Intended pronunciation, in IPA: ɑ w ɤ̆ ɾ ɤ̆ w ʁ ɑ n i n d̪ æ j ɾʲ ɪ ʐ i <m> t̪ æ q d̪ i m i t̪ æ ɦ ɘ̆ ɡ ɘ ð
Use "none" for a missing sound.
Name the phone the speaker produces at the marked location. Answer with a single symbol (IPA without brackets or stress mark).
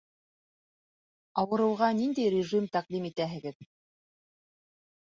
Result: m